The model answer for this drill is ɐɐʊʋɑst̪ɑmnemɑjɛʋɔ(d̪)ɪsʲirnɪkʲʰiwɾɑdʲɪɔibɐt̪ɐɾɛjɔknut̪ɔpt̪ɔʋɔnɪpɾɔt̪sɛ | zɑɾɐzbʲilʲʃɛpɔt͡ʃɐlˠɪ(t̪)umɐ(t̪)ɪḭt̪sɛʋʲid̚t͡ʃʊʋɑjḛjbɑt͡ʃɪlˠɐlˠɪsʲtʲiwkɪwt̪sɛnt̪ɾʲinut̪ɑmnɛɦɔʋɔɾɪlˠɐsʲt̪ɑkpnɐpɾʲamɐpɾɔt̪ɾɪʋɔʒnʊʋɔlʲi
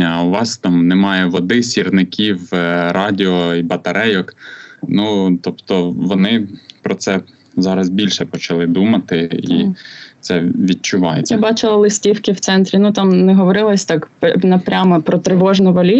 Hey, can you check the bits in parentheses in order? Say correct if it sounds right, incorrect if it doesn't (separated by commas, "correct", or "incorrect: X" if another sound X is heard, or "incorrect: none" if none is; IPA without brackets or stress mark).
correct, incorrect: d̪, correct